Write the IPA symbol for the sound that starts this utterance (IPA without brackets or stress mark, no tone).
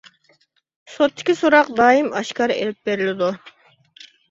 s